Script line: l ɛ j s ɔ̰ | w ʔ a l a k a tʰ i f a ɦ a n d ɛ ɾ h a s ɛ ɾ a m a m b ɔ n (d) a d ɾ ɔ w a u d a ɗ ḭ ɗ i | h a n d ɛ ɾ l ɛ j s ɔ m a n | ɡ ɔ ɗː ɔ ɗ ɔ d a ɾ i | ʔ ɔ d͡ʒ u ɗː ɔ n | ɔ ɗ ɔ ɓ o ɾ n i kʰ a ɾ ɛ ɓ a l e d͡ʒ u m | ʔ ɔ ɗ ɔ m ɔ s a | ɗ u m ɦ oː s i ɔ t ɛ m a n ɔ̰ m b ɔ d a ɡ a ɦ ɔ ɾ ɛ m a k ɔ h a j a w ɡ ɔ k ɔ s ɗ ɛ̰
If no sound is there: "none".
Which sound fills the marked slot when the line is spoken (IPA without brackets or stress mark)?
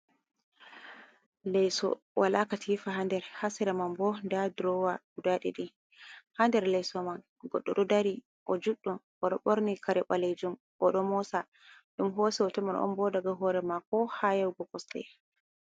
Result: d